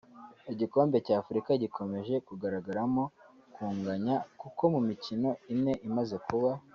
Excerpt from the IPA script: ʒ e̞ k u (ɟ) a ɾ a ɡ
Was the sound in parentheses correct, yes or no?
no